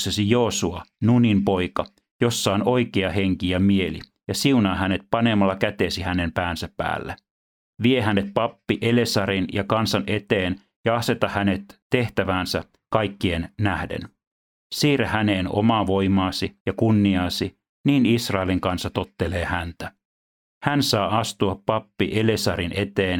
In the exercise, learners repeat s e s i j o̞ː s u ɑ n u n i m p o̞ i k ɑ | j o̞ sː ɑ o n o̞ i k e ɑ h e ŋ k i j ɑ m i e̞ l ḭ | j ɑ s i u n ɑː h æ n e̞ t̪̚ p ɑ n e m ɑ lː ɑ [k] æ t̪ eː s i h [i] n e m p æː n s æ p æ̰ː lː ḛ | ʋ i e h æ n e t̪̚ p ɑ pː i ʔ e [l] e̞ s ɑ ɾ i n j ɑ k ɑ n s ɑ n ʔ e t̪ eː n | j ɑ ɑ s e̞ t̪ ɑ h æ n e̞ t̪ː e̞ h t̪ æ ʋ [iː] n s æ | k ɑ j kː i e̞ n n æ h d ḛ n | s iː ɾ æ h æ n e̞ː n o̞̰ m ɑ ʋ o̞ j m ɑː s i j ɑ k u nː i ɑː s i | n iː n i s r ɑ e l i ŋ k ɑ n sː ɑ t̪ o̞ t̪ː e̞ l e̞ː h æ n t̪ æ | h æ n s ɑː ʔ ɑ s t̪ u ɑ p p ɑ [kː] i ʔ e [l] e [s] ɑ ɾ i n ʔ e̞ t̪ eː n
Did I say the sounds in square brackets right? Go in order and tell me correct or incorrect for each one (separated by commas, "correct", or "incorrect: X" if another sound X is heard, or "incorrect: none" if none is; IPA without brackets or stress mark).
correct, incorrect: æ, correct, incorrect: æː, incorrect: pː, correct, correct